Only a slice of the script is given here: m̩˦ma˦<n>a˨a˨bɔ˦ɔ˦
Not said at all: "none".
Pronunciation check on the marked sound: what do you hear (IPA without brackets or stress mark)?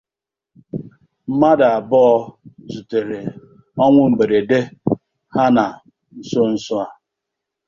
d